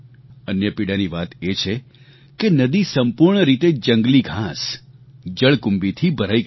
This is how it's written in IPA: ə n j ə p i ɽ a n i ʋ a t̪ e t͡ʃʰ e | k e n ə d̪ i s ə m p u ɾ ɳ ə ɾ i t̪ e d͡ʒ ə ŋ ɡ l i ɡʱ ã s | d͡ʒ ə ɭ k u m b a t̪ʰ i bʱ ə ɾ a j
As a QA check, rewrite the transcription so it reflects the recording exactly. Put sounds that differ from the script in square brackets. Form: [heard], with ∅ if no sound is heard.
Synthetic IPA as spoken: ə n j ə p i ɽ a n i ʋ a t̪ e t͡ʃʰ e | k e n ə d̪ i s ə m p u ɾ ɳ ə ɾ i t̪ e d͡ʒ ə ŋ ɡ l i ɡʱ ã s | d͡ʒ ə ɭ k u m b [i] t̪ʰ i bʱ ə ɾ a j